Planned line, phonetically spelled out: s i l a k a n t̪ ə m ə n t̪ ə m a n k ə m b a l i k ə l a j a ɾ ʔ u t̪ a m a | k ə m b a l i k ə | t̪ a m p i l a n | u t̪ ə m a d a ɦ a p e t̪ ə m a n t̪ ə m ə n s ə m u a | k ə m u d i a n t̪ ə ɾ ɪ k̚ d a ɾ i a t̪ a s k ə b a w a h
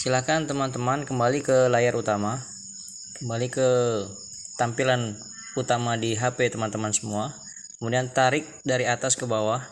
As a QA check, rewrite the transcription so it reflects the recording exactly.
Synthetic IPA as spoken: s i l a k a n t̪ ə m a n t̪ ə m a n k ə m b a l i k ə l a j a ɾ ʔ u t̪ a m a | k ə m b a l i k ə | t̪ a m p i l a n | u t̪ a m a d i ɦ a p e t̪ ə m a n t̪ ə m a n s ə m u a | k ə m u d i a n t̪ a ɾ ɪ k̚ d a ɾ i a t̪ a s k ə b a w a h